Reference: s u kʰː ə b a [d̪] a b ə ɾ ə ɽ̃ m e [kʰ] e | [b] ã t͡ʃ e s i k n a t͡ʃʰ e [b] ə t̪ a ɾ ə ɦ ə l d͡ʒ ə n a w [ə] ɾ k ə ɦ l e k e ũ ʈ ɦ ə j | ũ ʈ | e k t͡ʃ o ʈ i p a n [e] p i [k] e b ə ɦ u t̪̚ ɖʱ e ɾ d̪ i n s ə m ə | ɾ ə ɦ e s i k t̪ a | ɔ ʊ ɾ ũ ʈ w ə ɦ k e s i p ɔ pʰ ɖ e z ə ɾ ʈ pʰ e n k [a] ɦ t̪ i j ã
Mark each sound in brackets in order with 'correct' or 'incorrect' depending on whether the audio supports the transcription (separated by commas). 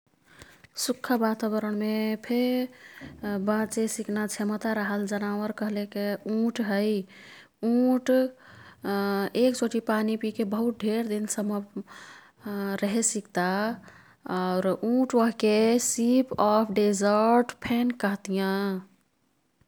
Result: incorrect, incorrect, correct, incorrect, correct, incorrect, correct, incorrect